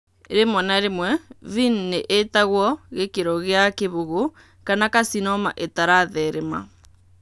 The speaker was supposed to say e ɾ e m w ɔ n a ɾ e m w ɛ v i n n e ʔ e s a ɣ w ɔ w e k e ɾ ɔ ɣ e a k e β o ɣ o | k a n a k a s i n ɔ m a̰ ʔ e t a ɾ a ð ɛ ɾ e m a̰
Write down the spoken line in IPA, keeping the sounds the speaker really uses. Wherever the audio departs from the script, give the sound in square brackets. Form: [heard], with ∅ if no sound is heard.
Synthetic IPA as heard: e ɾ e m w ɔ n a ɾ e m w ɛ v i n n e ʔ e [t] a ɣ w ɔ [ɣ] e k e ɾ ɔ ɣ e a k e β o ɣ o | k a n a k a s i n ɔ m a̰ ʔ e t a ɾ a ð ɛ ɾ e m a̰